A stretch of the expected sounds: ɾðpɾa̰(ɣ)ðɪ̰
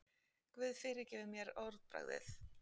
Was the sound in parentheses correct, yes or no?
yes